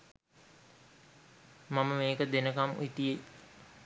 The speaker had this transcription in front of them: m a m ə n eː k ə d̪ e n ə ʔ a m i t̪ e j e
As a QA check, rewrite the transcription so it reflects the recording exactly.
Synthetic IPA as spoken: m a m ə m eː k ə d̪ e n ə k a m i t̪ i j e